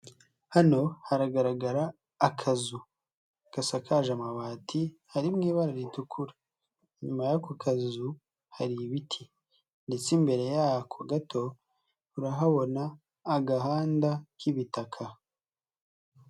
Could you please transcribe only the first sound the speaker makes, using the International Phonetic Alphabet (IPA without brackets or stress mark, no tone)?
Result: h